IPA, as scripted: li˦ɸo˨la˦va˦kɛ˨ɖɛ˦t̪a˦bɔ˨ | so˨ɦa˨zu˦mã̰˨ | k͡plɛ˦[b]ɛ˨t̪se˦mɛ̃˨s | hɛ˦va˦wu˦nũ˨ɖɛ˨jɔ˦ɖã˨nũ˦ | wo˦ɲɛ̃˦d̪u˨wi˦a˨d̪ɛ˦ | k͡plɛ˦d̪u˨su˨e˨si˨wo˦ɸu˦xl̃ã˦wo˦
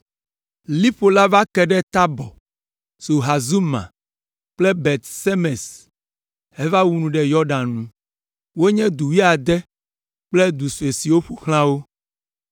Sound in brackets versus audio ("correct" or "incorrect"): correct